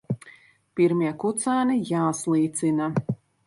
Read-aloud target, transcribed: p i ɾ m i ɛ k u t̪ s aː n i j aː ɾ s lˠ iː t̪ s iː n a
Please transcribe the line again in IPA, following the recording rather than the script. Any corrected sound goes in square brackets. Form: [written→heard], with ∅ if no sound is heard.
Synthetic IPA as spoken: p i ɾ m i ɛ k u t̪ s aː n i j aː [ɾ→∅] s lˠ iː t̪ s [iː→i] n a